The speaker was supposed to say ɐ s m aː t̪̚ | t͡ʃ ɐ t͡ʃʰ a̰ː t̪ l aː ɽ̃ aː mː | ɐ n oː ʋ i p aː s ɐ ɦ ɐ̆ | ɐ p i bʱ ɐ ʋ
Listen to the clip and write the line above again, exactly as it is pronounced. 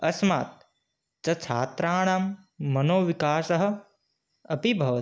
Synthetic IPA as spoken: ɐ s m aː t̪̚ | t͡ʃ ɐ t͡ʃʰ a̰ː t̪ ɾ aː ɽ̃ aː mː | ɐ n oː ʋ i k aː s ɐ ɦ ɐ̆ | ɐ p i bʱ ɐ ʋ